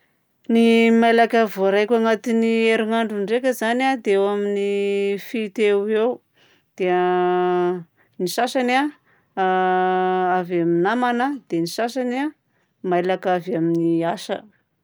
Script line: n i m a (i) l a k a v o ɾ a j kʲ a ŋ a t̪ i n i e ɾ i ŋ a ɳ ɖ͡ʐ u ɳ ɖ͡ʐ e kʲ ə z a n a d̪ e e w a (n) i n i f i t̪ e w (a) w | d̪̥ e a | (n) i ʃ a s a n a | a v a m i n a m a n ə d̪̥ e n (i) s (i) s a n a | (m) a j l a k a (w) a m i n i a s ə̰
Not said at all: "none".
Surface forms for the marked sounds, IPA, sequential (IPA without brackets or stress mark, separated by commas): j, m, e, n, i, a, m, v